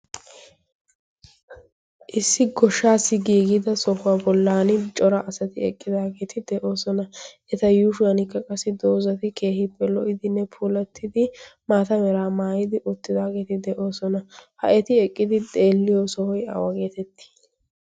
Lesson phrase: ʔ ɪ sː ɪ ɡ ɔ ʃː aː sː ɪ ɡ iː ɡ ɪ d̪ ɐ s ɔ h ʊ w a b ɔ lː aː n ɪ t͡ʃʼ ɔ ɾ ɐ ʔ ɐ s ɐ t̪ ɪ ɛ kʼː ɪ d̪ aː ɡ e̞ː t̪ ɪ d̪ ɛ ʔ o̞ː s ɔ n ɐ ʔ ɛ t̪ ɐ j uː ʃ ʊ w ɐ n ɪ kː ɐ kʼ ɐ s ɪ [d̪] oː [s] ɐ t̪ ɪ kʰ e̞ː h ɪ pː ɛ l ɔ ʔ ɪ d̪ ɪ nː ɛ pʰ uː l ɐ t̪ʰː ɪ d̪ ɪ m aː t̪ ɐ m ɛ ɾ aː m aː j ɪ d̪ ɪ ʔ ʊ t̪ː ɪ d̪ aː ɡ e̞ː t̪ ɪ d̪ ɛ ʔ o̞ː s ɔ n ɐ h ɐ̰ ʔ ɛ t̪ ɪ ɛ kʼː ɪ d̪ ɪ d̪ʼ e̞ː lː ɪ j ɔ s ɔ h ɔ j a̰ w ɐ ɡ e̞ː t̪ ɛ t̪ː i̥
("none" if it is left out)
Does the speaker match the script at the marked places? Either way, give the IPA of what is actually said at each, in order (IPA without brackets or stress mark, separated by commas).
d̪, z